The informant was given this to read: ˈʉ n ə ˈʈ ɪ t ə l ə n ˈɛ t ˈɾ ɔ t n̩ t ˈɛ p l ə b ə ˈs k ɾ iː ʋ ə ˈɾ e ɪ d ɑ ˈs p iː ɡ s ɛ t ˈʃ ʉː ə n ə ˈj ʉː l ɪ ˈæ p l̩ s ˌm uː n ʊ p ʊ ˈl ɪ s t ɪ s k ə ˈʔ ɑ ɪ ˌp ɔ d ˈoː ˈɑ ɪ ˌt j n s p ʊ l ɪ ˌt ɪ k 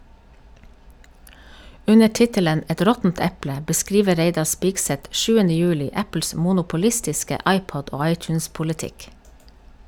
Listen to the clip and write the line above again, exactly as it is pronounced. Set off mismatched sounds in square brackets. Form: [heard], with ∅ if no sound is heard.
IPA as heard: ˈʉ n ə ˈʈ ɪ t ə l ə n ˈɛ t ˈɾ ɔ t n̩ t ˈɛ p l ə b ə ˈs k ɾ iː ʋ ə ˈɾ e ɪ d ɑ ˈs p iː ɡ s ɛ t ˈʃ ʉː ə n ə ˈj ʉː l ɪ ˈæ p l̩ s ˌm uː n ʊ p ʊ ˈl ɪ s t ɪ s k ə ˈʔ ɑ ɪ ˌp ɔ d ˈoː ˈɑ ɪ ˌt j n s p ʊ l ɪ ˌt ɪ k